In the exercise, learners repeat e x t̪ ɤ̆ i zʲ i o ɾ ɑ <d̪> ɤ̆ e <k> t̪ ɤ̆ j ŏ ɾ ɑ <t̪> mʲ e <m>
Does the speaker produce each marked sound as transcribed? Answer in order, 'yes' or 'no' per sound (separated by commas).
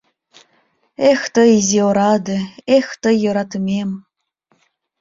yes, no, yes, yes